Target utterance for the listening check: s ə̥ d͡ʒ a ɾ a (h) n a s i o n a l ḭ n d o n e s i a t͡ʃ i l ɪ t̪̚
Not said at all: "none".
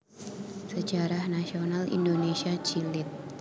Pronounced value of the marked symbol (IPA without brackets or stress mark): h